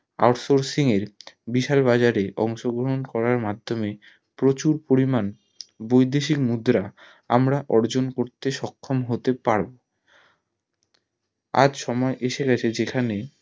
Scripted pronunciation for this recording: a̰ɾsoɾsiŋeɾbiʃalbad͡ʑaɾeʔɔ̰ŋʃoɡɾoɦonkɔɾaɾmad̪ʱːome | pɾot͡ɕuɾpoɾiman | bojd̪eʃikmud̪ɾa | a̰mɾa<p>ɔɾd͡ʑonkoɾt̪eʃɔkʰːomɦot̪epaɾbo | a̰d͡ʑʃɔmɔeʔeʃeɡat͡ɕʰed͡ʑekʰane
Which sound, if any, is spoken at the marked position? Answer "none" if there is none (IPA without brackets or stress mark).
ʔ